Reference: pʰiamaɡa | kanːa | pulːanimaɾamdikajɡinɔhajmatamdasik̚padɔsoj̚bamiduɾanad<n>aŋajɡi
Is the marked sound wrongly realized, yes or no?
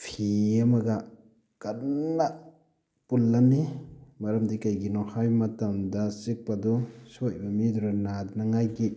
no